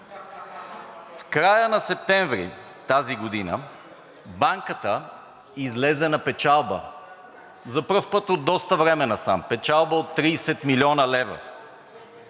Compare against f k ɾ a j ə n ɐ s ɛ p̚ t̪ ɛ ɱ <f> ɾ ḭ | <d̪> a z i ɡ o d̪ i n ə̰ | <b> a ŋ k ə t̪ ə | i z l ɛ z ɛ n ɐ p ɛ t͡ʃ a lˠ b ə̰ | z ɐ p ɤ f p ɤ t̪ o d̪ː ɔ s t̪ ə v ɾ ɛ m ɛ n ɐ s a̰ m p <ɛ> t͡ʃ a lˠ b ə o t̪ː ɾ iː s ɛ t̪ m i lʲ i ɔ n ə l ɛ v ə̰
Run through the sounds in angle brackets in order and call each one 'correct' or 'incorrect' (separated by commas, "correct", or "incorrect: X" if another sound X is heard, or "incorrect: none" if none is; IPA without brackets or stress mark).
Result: incorrect: v, incorrect: t̪, correct, correct